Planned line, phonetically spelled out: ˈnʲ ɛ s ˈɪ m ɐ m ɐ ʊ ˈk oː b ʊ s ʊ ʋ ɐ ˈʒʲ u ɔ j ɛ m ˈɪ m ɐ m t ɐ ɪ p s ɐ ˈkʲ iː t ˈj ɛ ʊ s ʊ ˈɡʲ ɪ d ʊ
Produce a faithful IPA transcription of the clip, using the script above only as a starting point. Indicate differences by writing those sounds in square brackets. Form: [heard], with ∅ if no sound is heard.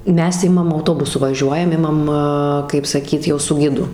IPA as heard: [ˈmʲ] ɛ s ˈɪ m ɐ m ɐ ʊ [ˈt] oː b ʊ s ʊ ʋ ɐ ˈʒʲ u ɔ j ɛ m ˈɪ m ɐ m [k] ɐ ɪ p s ɐ ˈkʲ iː t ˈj ɛ ʊ s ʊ ˈɡʲ ɪ d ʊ